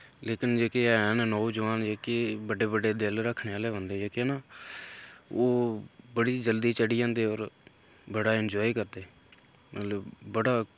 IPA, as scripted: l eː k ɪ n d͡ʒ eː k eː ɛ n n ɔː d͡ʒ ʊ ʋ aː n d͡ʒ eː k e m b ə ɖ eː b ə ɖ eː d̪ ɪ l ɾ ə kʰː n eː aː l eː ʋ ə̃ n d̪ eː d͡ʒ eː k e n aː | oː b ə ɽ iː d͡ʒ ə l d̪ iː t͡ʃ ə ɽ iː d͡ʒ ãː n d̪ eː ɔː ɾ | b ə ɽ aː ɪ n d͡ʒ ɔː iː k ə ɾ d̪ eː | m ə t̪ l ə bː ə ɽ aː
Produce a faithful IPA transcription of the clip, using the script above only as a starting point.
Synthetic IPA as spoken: l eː k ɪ n d͡ʒ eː k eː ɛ n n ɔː d͡ʒ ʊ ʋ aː n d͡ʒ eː k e b ə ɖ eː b ə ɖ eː d̪ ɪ l ɾ ə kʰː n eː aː l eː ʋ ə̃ n d̪ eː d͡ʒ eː k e n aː | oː b ə ɽ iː d͡ʒ ə l d̪ iː t͡ʃ ə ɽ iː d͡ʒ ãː n d̪ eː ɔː ɾ | b ə ɽ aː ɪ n d͡ʒ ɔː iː k ə ɾ d̪ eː | m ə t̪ l ə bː ə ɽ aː